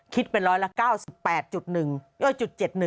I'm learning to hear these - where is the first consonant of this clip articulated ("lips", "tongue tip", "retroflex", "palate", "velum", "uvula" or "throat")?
velum